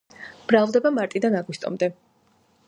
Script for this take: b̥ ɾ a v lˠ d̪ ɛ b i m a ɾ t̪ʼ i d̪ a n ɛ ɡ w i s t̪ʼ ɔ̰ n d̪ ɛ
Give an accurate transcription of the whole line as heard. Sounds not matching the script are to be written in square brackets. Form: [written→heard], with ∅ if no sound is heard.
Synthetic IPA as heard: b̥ ɾ a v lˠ d̪ ɛ b [i→a] m a ɾ t̪ʼ i d̪ a n [ɛ→a] ɡ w i s t̪ʼ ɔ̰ [n→m] d̪ ɛ